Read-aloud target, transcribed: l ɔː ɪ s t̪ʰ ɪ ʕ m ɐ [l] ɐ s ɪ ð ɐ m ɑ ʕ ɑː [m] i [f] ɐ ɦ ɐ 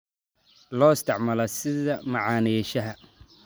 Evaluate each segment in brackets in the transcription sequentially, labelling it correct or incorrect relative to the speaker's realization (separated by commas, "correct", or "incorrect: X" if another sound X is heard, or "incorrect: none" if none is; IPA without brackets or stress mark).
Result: correct, incorrect: n, incorrect: ʃ